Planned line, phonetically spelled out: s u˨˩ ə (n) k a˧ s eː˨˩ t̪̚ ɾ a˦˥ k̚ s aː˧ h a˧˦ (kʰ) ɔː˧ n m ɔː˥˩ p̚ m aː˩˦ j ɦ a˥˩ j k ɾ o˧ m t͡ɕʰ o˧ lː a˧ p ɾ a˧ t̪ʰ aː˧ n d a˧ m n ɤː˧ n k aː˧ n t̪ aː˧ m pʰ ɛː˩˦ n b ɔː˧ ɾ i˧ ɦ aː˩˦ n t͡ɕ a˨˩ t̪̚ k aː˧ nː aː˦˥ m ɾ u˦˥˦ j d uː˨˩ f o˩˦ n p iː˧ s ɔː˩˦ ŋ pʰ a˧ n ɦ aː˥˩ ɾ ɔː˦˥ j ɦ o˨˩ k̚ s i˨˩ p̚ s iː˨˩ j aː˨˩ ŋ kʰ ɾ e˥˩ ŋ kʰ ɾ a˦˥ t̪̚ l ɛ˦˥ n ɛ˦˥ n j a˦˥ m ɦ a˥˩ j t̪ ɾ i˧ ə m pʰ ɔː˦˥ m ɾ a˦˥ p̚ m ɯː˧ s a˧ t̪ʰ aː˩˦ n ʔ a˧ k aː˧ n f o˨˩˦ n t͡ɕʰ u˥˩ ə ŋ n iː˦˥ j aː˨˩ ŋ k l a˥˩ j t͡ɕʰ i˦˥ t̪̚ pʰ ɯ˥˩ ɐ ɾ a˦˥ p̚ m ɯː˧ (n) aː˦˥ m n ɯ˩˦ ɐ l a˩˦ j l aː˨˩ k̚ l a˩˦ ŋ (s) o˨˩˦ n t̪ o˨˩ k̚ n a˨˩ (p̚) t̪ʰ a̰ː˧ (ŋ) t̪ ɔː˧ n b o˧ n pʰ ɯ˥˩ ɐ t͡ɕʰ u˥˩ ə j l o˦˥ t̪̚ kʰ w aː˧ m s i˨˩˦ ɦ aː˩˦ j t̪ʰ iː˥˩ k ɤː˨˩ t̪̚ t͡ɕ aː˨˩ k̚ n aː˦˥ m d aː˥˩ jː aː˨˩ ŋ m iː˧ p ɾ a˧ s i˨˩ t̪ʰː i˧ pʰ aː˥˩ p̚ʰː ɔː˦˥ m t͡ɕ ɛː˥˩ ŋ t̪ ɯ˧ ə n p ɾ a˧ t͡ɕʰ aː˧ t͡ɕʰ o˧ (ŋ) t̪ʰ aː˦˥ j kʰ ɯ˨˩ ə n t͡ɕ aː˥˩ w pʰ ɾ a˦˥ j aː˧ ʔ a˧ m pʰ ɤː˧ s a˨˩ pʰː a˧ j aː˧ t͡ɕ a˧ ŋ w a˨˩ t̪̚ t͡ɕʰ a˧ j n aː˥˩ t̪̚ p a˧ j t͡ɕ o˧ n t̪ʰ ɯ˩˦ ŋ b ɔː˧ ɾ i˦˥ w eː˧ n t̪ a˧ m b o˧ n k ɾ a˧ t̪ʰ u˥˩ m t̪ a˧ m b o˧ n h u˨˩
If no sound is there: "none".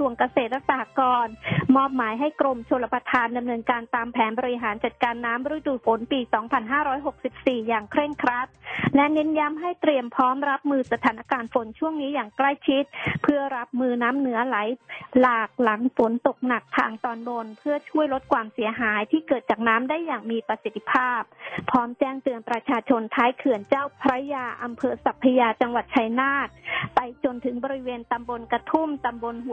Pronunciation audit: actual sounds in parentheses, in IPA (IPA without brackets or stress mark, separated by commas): ŋ, k, n, f, k̚, ŋ, n